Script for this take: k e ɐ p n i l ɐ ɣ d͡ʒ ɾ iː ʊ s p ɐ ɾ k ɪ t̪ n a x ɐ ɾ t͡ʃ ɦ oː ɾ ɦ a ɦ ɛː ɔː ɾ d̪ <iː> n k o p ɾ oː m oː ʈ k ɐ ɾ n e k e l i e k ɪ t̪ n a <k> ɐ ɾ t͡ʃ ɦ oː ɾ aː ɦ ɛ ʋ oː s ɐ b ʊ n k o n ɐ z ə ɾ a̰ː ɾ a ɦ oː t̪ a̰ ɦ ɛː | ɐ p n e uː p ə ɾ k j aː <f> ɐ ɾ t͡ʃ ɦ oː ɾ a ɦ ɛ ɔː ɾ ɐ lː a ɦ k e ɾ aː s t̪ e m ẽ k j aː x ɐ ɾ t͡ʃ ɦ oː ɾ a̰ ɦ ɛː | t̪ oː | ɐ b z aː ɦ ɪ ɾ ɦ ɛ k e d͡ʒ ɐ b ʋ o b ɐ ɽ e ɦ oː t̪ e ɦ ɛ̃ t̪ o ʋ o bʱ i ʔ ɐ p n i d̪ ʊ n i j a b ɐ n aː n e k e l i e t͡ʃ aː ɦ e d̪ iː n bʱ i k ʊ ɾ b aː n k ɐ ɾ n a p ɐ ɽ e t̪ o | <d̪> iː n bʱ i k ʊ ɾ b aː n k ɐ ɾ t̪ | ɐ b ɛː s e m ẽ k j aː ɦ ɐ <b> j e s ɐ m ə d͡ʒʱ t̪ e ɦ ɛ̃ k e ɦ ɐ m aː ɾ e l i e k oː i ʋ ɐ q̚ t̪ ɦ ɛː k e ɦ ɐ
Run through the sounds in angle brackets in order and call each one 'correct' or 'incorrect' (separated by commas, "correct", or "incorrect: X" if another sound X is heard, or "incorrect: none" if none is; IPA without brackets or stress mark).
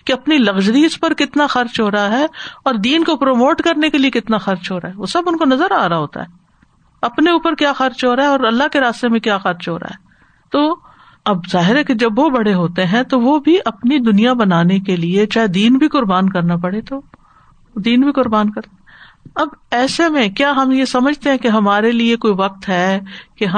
correct, incorrect: x, incorrect: x, correct, incorrect: m